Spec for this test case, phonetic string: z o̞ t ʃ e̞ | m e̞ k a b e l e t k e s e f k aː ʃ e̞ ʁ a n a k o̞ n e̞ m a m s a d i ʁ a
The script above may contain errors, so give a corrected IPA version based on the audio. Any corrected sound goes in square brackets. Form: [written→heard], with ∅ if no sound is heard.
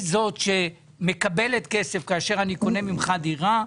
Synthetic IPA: z o̞ t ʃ e̞ | m e̞ k a b e l e t k e s e f k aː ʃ e̞ ʁ a n [a→i] k o̞ n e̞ m [a→i] m [s→χ] a d i ʁ a

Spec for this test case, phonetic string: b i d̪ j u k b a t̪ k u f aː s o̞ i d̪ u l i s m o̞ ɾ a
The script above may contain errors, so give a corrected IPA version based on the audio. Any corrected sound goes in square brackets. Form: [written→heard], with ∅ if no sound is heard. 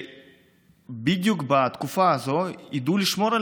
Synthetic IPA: b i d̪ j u k b a t̪ k u f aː [s→z] o̞ i d̪ u l i [s→ʃ] m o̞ ɾ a

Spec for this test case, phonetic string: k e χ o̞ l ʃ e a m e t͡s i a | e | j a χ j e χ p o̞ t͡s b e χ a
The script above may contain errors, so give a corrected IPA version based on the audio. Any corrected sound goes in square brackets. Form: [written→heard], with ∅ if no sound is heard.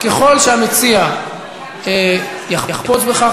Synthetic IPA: k e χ o̞ l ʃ e a m e t͡s i a | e | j a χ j [e→a] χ p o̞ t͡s b e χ a

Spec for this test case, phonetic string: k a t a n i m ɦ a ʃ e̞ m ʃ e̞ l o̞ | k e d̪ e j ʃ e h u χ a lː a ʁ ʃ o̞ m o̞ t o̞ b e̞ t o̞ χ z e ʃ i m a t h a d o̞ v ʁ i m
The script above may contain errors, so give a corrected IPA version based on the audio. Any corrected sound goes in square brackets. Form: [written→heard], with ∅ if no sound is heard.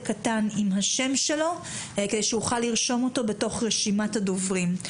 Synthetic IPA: k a t a n i m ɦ a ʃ e̞ m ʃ e̞ l o̞ | k e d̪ e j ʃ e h u χ a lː [a→i] ʁ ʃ o̞ m o̞ t o̞ b e̞ t o̞ χ [z→ʁ] e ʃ i m a t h a d o̞ v ʁ i m

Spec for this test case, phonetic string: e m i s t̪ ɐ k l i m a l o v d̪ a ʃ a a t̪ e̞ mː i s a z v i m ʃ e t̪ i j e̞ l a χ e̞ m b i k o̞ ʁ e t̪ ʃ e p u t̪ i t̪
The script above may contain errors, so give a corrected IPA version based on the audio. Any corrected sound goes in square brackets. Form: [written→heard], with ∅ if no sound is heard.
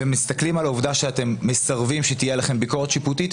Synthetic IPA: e m i s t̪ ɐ k l i m a l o v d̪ a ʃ [a→e] a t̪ e̞ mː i s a [z→ʁ] v i m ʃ e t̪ i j e̞ l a χ e̞ m b i k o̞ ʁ e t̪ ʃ [e→i] p u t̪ i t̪

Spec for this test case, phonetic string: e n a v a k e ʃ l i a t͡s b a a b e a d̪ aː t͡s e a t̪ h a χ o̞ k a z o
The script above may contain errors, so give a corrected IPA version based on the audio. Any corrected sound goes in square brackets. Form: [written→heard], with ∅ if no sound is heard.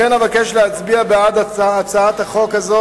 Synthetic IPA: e n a v a k e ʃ l [i→e] a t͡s b [a→i] a b e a d̪ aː t͡s [e→a] a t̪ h a χ o̞ k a z o

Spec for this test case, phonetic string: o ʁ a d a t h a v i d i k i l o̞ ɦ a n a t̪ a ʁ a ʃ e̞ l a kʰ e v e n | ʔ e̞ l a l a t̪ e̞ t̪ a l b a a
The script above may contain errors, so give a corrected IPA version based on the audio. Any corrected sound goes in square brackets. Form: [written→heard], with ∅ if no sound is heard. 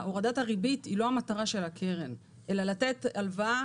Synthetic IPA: o ʁ a d a t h a [v→ʁ] i [d→b] i [k→t] i l o̞ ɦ a [n→m] a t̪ a ʁ a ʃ e̞ l a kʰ e [v→ʁ] e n | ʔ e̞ l a l a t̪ e̞ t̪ a l [b→v] a a

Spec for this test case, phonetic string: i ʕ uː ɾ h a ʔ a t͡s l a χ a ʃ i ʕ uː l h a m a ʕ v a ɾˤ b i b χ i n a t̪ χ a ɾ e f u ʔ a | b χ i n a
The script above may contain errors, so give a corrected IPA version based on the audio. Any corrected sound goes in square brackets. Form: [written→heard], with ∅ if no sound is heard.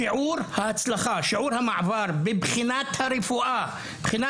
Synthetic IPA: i ʕ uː ɾ h a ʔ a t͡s l a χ a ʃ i ʕ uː [l→ɾ] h a m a ʕ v a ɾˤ b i b χ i n a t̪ [χ→h] a ɾ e f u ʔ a | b χ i n a

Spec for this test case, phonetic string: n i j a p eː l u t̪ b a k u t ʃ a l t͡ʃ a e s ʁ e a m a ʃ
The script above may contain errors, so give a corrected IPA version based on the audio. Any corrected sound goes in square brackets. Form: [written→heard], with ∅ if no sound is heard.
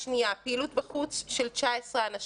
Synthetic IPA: n i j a p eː l u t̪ b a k u [t→t͡s] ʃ [a→e] l t͡ʃ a e s ʁ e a [m→n] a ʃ

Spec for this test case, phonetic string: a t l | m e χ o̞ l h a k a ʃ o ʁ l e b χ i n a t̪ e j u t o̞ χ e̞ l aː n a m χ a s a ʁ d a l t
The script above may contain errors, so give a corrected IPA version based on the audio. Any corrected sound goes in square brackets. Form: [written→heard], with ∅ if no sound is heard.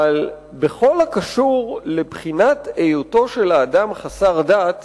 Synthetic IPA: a [t→∅] l | [m→b] e χ o̞ l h a k a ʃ [o→u] ʁ l e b χ i n a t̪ e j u t o̞ [χ→ʃ] e̞ l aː [n→d] a m χ a s a ʁ d a [l→∅] t

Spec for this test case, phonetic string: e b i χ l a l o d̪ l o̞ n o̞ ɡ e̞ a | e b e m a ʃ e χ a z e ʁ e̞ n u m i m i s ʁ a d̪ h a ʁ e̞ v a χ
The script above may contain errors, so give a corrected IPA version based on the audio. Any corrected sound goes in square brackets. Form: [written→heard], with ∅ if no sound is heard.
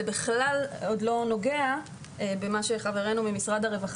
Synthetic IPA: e b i χ l a l o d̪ l o̞ n o̞ ɡ e̞ a | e b e m a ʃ e χ a [z→v] e ʁ e̞ n u m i m i s ʁ a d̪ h a ʁ e̞ v a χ

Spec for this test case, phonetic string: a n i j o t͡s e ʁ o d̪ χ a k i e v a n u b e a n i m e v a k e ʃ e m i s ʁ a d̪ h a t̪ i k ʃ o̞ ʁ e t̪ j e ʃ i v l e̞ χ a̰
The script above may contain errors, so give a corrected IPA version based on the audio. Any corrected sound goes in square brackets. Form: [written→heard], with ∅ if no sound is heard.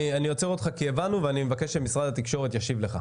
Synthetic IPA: a n i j o t͡s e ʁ o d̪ χ a k i e v a n u [b→v] e a n i m e v a k e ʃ e m i s ʁ a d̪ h a t̪ i k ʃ o̞ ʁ e t̪ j [e→a] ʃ i v l e̞ χ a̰

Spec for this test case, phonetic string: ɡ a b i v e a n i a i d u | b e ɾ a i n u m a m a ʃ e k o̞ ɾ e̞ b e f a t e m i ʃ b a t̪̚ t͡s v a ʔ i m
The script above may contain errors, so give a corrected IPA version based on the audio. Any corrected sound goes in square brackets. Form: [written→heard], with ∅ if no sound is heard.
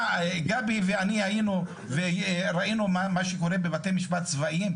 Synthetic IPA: ɡ a b i v e a n i a i [d→n] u | [b→v] e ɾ a i n u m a m a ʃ e k o̞ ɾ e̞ b e [f→v] a t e m i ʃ b a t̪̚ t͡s v a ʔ i m

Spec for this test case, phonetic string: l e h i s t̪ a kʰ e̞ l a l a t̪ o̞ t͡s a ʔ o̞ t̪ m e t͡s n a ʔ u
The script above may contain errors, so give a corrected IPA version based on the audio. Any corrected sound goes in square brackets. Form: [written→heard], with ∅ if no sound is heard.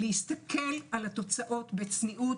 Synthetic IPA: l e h i s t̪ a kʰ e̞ l a l a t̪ o̞ t͡s a ʔ o̞ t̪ [m→b] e t͡s n [a→i] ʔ u

